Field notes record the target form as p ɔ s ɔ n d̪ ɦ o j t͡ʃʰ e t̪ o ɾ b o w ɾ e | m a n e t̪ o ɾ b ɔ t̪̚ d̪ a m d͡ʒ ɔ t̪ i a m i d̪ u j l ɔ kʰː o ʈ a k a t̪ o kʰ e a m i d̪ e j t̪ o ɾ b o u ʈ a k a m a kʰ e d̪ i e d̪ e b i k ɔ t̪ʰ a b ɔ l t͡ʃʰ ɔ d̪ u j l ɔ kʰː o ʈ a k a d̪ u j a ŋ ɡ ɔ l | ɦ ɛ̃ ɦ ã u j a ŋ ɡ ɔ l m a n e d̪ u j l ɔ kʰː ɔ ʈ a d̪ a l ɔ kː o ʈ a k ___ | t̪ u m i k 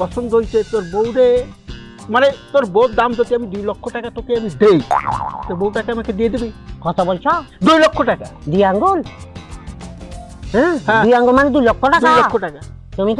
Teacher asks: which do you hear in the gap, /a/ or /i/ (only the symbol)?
a